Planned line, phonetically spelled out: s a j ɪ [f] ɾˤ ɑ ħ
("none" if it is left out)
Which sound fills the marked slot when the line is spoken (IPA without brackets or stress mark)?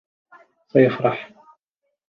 f